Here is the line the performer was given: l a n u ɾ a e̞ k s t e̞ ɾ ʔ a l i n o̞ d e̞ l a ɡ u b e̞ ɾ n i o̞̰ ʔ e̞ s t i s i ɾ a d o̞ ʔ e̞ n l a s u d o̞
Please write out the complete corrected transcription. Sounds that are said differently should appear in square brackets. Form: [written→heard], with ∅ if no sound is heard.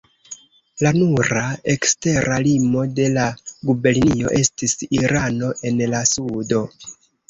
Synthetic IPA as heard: l a n u ɾ a e̞ k s t e̞ ɾ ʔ a l i [n→m] o̞ d e̞ l a ɡ u b e̞ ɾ n i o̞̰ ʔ e̞ s t i s i ɾ a [d→n] o̞ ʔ e̞ n l a s u d o̞